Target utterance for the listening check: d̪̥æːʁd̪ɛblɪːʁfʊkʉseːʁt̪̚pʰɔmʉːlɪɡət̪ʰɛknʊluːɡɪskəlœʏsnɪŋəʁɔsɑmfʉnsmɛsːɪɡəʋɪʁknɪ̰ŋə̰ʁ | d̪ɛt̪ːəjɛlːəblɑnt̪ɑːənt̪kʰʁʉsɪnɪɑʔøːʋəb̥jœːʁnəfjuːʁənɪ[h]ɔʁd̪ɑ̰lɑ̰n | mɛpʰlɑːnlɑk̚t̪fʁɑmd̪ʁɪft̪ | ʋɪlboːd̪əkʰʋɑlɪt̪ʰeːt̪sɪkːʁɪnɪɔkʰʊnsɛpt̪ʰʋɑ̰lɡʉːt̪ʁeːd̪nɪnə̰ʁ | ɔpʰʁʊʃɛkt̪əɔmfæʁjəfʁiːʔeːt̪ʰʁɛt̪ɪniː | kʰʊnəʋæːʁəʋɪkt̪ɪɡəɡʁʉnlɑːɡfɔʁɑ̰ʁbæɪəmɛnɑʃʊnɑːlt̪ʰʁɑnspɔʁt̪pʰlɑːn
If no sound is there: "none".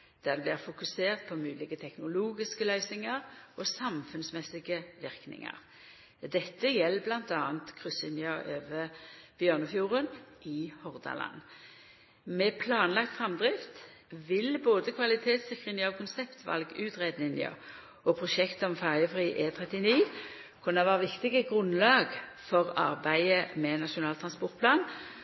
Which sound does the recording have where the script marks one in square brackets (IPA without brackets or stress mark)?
h